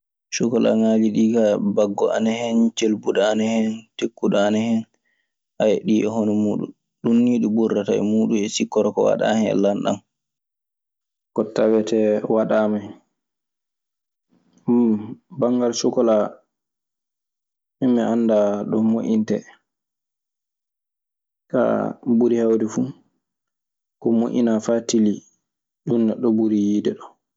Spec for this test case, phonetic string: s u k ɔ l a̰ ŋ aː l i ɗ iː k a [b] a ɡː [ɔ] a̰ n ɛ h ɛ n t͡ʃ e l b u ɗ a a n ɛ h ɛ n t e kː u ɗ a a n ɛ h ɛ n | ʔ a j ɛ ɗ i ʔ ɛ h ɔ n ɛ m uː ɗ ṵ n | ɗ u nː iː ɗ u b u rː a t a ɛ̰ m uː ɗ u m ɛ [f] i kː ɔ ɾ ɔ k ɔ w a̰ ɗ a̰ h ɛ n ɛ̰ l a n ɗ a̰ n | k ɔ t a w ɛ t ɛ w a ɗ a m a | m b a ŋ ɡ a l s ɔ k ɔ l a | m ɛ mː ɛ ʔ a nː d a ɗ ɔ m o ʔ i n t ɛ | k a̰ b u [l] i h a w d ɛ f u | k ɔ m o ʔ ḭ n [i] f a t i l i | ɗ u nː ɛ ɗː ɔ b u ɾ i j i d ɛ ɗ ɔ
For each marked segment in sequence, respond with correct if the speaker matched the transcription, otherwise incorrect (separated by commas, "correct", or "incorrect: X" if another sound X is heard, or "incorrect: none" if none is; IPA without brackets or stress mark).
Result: correct, correct, incorrect: s, incorrect: ɾ, incorrect: a